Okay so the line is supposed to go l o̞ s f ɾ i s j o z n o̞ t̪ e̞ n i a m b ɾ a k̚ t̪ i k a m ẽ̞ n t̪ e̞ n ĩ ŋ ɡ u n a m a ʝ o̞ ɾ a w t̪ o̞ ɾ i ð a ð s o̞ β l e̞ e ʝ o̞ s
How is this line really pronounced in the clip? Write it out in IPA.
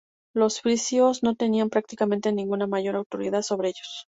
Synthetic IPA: l o̞ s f ɾ i s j o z n o̞ t̪ e̞ n i a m p ɾ a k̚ t̪ i k a m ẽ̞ n t̪ e̞ n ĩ ŋ ɡ u n a m a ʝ o̞ ɾ a w t̪ o̞ ɾ i ð a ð s o̞ β ɾ e̞ e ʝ o̞ s